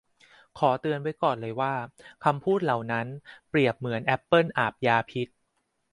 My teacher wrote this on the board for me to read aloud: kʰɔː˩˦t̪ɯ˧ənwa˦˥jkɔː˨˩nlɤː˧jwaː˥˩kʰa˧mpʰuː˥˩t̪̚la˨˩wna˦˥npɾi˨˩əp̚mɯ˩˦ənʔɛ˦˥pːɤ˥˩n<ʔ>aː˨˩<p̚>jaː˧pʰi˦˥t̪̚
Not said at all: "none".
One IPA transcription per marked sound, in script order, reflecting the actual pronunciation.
ʔ, p̚

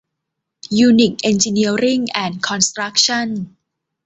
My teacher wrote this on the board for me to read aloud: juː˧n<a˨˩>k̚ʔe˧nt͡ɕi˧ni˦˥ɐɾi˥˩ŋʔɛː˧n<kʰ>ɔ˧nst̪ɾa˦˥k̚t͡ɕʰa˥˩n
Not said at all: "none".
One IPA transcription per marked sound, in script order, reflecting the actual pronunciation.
i˨˩, kʰ

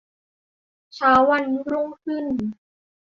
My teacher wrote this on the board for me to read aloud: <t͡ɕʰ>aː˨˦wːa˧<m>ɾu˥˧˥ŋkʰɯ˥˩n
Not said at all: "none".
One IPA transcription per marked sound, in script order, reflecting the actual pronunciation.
t͡ɕʰ, n

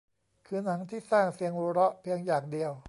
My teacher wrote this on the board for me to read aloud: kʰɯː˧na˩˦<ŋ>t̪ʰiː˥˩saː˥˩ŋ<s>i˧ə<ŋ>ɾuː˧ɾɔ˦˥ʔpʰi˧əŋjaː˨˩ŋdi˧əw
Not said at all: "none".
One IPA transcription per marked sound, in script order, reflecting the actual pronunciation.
ŋ, s, ŋ

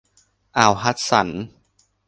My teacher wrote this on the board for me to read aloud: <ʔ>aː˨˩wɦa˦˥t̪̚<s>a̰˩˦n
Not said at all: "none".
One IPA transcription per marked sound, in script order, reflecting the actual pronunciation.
ʔ, s

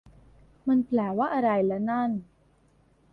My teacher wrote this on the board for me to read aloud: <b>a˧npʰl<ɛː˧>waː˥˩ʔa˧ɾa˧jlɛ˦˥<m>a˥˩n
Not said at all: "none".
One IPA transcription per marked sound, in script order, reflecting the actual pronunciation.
m, ɛː˨˩, n

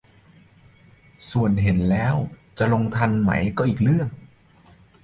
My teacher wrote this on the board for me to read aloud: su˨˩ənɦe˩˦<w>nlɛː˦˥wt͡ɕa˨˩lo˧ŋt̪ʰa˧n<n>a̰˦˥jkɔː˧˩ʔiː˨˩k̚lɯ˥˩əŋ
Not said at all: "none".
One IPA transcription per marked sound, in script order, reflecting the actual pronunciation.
none, m

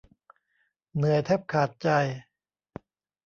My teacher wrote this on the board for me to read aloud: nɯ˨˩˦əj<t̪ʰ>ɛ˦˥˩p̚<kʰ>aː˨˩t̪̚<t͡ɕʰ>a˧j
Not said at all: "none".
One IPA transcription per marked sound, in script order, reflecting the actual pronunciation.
t̪ʰ, kʰ, t͡ɕ

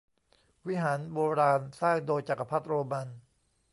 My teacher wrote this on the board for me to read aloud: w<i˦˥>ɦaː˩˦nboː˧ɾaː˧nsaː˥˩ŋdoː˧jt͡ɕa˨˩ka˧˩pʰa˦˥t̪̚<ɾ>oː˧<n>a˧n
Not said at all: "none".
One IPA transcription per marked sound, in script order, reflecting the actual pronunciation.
i˦˥, ɾ, m

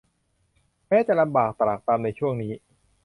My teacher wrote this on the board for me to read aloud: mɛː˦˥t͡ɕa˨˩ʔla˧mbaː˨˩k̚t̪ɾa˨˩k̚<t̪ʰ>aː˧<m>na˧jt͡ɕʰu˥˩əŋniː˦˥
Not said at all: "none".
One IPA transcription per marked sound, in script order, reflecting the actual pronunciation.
t̪, m

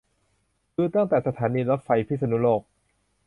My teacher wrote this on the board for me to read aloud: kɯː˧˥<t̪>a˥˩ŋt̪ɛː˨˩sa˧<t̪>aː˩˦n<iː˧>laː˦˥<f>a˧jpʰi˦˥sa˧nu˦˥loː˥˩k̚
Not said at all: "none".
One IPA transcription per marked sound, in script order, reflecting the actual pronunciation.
t̪, t̪ʰ, iː˧, f

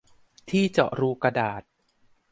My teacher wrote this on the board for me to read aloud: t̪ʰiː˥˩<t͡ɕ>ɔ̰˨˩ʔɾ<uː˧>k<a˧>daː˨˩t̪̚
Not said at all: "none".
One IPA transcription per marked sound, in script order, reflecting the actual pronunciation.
t͡ɕ, uː˧, a˧

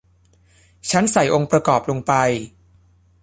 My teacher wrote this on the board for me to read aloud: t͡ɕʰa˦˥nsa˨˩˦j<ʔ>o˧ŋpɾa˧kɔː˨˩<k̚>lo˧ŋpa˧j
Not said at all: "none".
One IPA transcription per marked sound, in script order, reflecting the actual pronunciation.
ʔ, p̚

